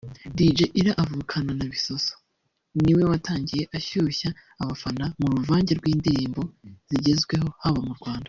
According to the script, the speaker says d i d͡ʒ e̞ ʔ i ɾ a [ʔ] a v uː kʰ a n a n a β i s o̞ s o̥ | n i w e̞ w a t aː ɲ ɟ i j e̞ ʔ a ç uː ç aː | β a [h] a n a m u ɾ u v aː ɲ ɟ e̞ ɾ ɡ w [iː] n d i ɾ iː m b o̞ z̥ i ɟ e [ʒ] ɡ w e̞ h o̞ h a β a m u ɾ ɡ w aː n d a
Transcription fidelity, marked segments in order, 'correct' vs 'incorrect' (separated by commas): correct, incorrect, correct, incorrect